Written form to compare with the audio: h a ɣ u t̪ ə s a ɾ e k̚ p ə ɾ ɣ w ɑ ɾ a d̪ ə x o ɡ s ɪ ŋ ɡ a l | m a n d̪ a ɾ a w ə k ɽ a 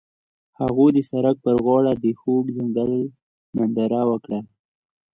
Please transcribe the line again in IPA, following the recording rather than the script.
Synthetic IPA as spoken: h a ɣ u d̪ ə s a ɾ a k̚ p ə ɾ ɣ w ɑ ɽ a d̪ ə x o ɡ z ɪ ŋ ɡ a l | m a n d̪ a ɾ a w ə k ɽ a